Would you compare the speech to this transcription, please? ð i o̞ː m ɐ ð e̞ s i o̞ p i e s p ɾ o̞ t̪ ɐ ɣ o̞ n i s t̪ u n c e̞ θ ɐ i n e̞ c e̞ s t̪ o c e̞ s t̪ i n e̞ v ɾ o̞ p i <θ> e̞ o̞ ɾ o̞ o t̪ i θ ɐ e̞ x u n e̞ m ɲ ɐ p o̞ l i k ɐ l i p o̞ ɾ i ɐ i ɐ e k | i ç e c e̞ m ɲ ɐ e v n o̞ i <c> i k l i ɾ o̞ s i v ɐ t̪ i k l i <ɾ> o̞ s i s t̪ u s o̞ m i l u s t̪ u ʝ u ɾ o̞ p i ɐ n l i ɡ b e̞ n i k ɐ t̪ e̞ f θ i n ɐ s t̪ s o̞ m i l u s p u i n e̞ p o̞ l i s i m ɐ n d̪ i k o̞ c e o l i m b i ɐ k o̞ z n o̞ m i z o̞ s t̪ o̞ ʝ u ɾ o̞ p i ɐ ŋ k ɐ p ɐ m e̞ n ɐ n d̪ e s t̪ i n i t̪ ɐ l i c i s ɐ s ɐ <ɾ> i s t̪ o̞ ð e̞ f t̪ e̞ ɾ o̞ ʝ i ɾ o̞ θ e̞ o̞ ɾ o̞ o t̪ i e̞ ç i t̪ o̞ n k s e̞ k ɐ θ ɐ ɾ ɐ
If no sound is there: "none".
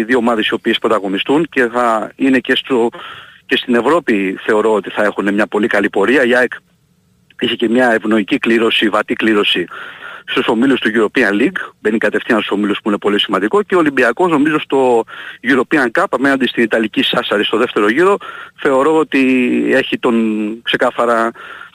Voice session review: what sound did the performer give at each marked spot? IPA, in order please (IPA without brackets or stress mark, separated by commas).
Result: θ, c, ɾ, ɾ